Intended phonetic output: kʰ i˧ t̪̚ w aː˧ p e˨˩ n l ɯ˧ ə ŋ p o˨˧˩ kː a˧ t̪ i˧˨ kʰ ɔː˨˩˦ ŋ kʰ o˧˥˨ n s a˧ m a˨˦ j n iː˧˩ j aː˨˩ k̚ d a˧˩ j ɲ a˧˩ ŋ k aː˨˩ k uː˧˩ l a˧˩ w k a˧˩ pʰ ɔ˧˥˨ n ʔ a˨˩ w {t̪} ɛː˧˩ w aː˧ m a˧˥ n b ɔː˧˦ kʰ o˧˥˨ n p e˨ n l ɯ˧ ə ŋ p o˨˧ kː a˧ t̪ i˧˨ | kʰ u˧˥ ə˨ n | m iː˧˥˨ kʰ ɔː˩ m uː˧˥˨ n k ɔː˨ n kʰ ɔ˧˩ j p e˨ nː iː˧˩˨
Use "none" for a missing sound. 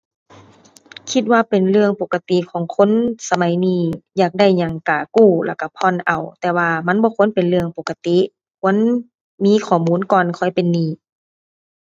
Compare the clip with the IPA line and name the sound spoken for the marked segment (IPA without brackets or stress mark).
t̪